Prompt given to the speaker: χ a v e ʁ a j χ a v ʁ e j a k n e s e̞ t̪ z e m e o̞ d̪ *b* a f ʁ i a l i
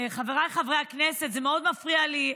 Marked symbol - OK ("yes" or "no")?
no